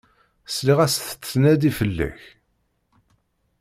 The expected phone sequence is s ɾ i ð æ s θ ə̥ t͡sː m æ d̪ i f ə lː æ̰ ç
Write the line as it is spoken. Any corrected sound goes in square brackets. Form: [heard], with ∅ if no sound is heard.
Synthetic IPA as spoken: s [l] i [ʁ] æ s θ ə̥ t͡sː [n] æ d̪ i f ə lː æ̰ ç